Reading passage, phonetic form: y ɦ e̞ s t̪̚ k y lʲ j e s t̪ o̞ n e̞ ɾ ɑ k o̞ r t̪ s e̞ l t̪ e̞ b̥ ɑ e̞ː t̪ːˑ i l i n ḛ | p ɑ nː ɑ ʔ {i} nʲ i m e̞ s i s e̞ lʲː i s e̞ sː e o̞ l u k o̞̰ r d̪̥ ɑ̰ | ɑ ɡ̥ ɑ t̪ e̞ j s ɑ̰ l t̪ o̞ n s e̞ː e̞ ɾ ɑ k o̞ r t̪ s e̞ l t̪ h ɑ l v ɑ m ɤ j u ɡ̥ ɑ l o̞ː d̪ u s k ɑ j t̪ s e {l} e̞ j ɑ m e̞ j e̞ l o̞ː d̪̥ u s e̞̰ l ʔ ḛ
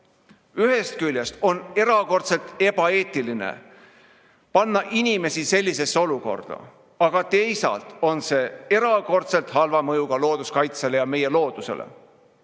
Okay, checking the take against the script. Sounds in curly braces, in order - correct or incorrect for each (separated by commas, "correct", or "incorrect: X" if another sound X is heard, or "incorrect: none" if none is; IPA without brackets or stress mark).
correct, correct